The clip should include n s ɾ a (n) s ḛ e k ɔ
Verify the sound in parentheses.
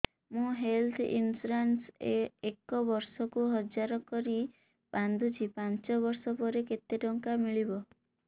correct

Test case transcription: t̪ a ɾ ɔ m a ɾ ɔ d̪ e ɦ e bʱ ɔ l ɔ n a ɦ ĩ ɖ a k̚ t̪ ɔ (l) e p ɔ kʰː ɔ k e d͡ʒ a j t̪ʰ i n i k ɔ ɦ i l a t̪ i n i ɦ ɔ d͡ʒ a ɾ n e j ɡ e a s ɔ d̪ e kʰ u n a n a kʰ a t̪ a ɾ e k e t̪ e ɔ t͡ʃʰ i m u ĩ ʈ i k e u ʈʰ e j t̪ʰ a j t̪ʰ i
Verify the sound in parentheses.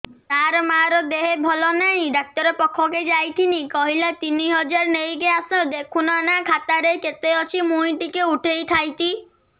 incorrect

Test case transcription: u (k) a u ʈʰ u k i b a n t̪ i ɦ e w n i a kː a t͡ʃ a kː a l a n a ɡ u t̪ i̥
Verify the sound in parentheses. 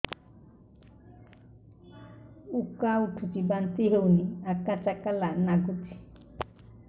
correct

